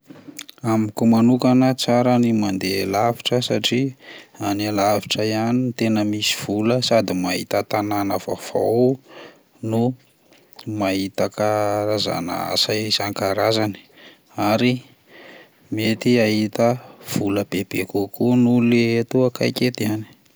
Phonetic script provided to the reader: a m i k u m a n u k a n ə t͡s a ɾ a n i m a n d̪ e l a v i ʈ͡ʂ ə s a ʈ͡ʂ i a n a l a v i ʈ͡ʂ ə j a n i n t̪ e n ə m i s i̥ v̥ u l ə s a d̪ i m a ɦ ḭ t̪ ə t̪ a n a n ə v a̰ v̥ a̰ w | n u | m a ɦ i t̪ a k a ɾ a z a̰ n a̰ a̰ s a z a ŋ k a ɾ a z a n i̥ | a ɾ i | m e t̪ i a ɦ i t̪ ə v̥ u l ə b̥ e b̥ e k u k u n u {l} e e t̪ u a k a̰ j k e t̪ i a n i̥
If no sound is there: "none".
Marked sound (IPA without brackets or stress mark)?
l